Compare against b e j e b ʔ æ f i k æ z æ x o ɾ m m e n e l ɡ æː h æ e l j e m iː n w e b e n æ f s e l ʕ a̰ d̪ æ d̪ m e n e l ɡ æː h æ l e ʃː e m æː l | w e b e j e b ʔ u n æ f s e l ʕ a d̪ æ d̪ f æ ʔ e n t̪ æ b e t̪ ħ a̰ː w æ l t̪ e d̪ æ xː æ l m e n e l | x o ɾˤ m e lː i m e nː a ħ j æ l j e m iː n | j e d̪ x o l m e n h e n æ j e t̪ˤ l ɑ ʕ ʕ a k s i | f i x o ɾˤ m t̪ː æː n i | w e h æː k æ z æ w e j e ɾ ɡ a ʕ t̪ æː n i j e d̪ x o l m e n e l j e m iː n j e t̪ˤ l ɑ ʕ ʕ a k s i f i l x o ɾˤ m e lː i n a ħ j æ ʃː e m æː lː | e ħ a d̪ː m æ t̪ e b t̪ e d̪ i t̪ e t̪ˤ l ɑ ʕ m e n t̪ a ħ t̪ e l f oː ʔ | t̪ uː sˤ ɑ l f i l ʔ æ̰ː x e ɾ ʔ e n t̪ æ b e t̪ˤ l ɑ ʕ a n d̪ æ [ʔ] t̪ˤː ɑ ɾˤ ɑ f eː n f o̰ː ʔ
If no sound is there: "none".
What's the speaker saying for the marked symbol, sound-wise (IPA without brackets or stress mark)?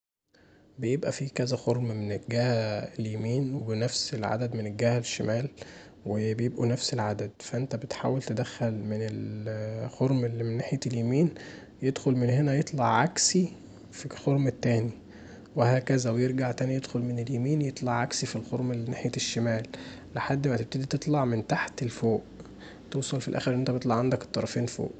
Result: k